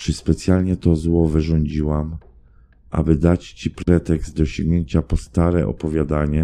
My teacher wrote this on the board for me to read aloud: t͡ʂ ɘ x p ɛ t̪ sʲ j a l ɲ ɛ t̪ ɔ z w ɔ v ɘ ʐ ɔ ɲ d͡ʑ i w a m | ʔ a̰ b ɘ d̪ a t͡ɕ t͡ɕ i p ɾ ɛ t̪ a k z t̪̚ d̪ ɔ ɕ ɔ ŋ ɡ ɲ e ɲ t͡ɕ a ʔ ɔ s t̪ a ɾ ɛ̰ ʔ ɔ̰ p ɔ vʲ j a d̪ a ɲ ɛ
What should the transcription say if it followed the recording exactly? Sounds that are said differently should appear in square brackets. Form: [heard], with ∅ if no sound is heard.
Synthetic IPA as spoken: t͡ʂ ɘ [s] p ɛ t̪ sʲ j a l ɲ ɛ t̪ ɔ z w ɔ v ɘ ʐ ɔ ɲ d͡ʑ i w a m | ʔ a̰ b ɘ d̪ a t͡ɕ t͡ɕ i p ɾ ɛ t̪ [ɛ] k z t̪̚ d̪ ɔ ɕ ɔ ŋ ɡ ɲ e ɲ t͡ɕ a [p] ɔ s t̪ a ɾ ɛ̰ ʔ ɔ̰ p ɔ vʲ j a d̪ a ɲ ɛ